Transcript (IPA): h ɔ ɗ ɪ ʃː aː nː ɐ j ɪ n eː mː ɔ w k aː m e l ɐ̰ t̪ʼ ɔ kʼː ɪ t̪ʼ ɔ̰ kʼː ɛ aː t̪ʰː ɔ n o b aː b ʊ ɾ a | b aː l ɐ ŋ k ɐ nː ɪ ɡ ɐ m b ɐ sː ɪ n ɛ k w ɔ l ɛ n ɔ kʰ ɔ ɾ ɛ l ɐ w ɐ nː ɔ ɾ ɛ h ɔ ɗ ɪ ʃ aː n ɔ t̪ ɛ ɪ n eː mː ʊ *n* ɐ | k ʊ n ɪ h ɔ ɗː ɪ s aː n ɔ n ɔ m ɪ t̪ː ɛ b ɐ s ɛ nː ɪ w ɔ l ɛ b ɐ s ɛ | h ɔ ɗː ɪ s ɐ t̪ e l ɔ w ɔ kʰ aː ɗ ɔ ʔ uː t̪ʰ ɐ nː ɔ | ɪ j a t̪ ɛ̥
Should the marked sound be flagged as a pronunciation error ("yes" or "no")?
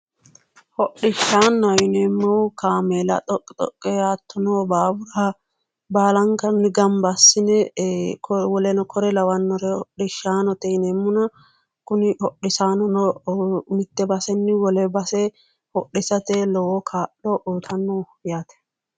no